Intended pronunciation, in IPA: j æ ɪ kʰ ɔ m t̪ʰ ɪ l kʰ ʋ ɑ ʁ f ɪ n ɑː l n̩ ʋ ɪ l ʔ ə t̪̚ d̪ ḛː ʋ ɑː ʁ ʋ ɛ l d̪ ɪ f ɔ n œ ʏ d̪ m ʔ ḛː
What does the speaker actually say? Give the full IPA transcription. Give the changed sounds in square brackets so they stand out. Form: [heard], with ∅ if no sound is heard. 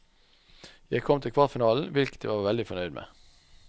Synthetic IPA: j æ ɪ kʰ ɔ m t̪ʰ ɪ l kʰ ʋ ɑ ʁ f ɪ n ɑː l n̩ ʋ ɪ l [k] ə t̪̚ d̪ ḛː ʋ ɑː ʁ ʋ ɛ l d̪ ɪ f ɔ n œ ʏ d̪ m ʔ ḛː